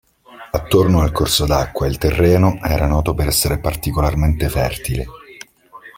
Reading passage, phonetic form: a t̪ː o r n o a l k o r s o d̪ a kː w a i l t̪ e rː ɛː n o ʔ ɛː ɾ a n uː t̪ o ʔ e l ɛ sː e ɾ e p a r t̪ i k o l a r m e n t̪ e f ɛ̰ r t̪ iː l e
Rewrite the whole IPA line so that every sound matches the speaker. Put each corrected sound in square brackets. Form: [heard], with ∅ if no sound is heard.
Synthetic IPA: a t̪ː o r n o a l k o r s o d̪ a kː w a i l t̪ e rː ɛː n o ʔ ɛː ɾ a n [ɔː] t̪ o [p] e [ɾ] ɛ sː e ɾ e p a r t̪ i k o l a r m e n t̪ e f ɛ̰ r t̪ [i] l e